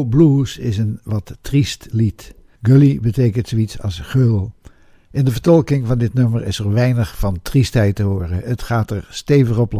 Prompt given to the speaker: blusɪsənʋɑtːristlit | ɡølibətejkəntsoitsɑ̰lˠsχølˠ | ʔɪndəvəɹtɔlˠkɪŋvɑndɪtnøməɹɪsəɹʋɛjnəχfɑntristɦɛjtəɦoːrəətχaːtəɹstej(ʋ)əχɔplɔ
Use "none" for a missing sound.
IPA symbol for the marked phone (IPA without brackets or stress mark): v